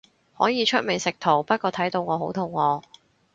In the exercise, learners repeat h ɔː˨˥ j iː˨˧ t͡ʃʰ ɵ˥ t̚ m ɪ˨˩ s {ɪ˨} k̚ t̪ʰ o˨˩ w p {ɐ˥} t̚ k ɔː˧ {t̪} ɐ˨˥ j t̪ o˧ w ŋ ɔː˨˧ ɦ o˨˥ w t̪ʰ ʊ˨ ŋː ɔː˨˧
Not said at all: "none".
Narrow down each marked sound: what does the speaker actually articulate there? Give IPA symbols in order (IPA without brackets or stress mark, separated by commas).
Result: ɪ˨, ɐ˥, t̪ʰ